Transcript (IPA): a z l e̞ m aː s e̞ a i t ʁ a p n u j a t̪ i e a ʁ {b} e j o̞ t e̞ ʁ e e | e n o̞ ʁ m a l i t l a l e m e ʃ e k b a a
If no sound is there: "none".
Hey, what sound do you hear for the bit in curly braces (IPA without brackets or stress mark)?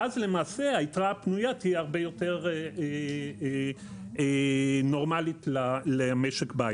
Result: b